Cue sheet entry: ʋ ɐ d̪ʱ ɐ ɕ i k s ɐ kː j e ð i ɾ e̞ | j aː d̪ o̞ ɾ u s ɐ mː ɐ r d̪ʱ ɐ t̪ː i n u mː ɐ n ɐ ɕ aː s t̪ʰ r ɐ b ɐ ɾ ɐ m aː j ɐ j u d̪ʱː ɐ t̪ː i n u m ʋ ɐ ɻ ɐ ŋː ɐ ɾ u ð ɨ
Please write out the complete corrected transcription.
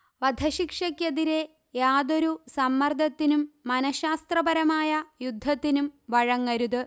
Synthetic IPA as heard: ʋ ɐ d̪ʱ ɐ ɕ i k ʂ ɐ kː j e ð i ɾ e̞ | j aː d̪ o̞ ɾ u s ɐ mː ɐ r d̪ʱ ɐ t̪ː i n u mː ɐ n ɐ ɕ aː s t̪ r ɐ b ɐ ɾ ɐ m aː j ɐ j u d̪ʱː ɐ t̪ː i n u m ʋ ɐ ɻ ɐ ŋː ɐ ɾ u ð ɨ

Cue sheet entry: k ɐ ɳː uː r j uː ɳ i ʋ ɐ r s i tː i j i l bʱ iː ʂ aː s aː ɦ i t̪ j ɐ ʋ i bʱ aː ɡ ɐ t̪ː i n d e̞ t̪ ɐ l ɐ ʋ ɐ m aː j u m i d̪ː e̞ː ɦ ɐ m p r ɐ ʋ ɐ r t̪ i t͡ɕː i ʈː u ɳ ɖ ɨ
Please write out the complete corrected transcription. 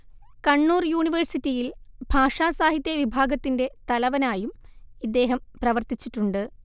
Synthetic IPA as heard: k ɐ ɳː uː r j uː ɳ i ʋ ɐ r s i tː i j i l bʱ aː ʂ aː s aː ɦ i t̪ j ɐ ʋ i bʱ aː ɡ ɐ t̪ː i n d e̞ t̪ ɐ l ɐ ʋ ɐ n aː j u m i d̪ː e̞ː ɦ ɐ m p r ɐ ʋ ɐ r t̪ i t͡ɕː i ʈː u ɳ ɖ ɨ

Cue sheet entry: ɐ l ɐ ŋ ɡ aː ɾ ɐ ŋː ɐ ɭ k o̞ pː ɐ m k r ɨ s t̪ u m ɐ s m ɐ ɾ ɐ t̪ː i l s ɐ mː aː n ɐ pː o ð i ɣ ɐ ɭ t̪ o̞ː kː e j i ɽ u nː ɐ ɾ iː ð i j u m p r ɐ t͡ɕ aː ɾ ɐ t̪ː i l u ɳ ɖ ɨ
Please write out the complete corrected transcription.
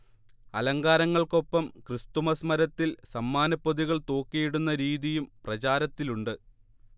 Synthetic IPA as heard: ɐ l ɐ ŋ ɡ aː ɾ ɐ ŋː ɐ ɭ k o̞ pː ɐ m k r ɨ s t̪ u m ɐ s m ɐ ɾ ɐ t̪ː i l s ɐ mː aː n ɐ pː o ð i ɣ ɐ ɭ t̪ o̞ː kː i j i ɽ u nː ɐ ɾ iː ð i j u m p r ɐ t͡ɕ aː ɾ ɐ t̪ː i l u ɳ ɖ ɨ

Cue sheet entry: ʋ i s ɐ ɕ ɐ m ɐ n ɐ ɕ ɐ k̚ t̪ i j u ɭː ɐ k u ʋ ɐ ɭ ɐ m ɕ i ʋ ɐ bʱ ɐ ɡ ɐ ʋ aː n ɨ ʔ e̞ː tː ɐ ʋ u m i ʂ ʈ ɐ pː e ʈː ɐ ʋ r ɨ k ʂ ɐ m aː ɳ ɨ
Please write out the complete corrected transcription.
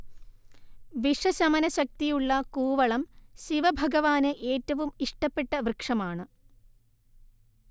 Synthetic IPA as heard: ʋ i ʂ ɐ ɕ ɐ m ɐ n ɐ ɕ ɐ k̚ t̪ i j u ɭː ɐ k uː ʋ ɐ ɭ ɐ m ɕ i ʋ ɐ bʱ ɐ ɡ ɐ ʋ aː n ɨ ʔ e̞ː tː ɐ ʋ u m i ʂ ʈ ɐ pː e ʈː ɐ ʋ r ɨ k ʂ ɐ m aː ɳ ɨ

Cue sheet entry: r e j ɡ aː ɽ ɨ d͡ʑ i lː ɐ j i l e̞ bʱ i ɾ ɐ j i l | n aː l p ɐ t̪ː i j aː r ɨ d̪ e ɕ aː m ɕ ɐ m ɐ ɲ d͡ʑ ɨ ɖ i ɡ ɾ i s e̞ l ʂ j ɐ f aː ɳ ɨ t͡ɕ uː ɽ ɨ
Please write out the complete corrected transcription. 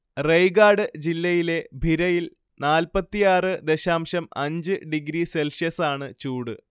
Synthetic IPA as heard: r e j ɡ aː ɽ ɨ d͡ʑ i lː ɐ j i l e̞ bʱ i ɾ ɐ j i l | n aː l p ɐ t̪ː i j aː r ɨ d̪ e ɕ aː m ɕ ɐ m ɐ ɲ d͡ʑ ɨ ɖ i ɡ ɾ i s e̞ l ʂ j ɐ s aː ɳ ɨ t͡ɕ uː ɽ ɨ

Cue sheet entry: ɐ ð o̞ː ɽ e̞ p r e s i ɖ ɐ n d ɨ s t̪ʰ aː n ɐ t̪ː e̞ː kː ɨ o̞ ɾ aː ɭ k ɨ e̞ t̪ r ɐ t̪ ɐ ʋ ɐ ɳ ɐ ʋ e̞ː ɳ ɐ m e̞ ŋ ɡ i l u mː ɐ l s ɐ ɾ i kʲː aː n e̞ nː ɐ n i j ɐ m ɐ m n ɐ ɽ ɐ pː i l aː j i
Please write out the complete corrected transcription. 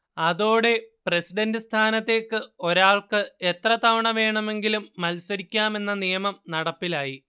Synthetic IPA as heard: ɐ ð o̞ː ɽ e̞ p r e s i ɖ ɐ n d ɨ s t̪ʰ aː n ɐ t̪ː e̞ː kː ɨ o̞ ɾ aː ɭ k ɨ e̞ t̪ r ɐ t̪ ɐ ʋ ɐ ɳ ɐ ʋ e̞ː ɳ ɐ m e̞ ŋ ɡ i l u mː ɐ l s ɐ ɾ i kʲː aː m e̞ nː ɐ n i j ɐ m ɐ m n ɐ ɽ ɐ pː i l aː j i

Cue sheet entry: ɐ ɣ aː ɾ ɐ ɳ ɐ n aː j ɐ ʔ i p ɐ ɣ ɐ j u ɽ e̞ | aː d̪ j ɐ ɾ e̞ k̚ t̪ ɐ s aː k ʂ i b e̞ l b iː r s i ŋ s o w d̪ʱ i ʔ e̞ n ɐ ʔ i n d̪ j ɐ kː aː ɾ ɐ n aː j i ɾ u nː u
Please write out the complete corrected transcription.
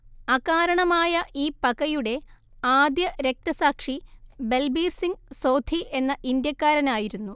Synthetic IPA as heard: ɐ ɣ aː ɾ ɐ ɳ ɐ m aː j ɐ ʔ iː p ɐ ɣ ɐ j u ɽ e̞ | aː d̪ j ɐ ɾ e̞ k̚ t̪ ɐ s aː k ʂ i b e̞ l b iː r s i ŋ s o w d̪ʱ i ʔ e̞ nː ɐ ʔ i n d̪ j ɐ kː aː ɾ ɐ n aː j i ɾ u nː u

